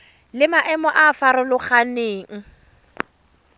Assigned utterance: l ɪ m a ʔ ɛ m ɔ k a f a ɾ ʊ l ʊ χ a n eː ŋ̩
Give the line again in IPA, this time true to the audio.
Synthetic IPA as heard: l ɪ m a ʔ ɛ m ɔ ʔ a f a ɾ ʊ l ʊ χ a n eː ŋ̩